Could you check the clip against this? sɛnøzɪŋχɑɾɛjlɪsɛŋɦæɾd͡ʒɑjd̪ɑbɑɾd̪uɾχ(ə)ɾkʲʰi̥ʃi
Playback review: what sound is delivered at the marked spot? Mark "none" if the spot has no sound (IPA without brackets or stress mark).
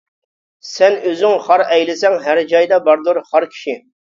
ɑ